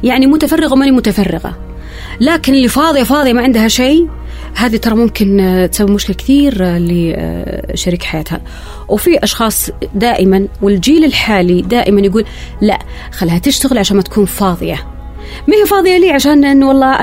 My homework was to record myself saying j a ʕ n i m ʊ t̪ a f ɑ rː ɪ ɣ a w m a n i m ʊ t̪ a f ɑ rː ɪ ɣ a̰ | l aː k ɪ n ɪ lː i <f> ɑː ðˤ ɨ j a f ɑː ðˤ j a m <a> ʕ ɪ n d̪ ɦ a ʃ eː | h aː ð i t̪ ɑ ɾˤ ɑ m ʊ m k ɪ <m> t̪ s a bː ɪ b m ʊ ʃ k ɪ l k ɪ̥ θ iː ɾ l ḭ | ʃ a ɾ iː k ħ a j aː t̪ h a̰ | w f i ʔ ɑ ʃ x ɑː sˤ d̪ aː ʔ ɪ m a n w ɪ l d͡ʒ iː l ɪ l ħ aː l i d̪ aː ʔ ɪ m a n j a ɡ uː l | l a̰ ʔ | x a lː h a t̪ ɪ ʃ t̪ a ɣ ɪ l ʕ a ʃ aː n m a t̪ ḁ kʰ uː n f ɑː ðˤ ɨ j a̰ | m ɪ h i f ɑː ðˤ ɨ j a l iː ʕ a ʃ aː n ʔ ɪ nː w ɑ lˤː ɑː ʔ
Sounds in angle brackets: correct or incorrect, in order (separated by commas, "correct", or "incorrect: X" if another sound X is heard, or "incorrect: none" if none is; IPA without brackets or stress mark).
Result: correct, correct, incorrect: n